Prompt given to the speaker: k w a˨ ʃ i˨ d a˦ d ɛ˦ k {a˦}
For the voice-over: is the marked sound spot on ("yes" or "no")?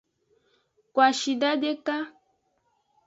yes